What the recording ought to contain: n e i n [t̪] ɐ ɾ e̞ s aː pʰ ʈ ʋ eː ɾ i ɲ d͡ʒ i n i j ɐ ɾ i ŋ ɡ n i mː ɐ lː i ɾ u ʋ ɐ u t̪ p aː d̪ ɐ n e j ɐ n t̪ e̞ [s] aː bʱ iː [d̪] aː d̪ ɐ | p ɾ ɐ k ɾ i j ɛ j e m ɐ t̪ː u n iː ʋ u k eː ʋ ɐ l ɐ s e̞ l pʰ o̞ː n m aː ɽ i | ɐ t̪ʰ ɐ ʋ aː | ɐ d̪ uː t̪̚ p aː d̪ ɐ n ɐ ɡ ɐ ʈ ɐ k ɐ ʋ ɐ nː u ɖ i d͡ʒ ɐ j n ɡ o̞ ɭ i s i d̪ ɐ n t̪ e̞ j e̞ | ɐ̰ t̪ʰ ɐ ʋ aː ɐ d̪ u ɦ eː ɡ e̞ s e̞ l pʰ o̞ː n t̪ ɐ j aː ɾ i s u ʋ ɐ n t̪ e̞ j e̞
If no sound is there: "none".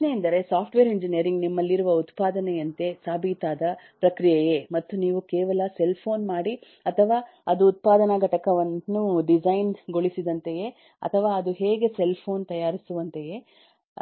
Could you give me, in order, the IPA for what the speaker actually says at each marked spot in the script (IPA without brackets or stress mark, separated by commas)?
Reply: d̪, s, t̪